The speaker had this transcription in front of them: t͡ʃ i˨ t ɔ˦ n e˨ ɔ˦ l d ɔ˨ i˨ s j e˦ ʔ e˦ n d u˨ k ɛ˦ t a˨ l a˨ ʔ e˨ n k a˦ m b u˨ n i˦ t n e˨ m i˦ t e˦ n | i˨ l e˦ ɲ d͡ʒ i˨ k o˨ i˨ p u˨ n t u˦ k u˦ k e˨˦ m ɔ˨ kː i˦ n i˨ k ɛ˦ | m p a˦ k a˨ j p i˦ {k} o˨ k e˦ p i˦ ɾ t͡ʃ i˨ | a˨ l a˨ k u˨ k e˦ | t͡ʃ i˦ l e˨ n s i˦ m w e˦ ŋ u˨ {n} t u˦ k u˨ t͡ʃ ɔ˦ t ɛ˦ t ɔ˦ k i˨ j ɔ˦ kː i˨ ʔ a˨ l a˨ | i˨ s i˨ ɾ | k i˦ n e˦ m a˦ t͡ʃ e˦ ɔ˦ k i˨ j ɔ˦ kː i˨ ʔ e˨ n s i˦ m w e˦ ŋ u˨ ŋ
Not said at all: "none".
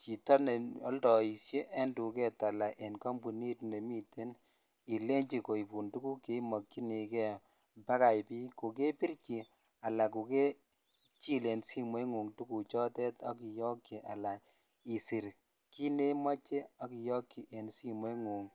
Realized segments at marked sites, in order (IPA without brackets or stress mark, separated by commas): k, ŋ